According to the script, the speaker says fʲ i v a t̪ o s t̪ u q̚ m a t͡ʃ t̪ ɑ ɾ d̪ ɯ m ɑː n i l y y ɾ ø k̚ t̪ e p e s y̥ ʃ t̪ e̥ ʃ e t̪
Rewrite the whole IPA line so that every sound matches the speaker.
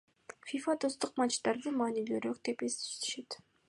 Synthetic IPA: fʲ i f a t̪ o s t̪ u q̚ m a t͡ʃ t̪ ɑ ɾ d̪ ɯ m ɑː n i l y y ɾ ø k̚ t̪ e p e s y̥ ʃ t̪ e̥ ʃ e t̪